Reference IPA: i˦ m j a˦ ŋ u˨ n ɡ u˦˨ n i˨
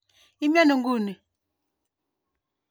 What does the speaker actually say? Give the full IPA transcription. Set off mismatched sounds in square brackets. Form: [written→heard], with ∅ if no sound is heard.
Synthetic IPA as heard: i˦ m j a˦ [ŋ→n] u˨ [n→ŋ] ɡ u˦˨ n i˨

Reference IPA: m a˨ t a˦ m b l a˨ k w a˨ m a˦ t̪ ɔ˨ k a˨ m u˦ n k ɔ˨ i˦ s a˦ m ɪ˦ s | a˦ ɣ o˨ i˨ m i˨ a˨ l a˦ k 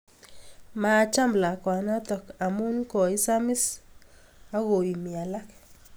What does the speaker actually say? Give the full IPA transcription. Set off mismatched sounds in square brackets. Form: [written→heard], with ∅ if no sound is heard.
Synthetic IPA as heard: m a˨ [t→t͡ʃ] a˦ m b l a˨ k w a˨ [m→n] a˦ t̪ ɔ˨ k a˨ m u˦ n k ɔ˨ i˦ s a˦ m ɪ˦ s | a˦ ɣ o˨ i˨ m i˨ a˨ l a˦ k

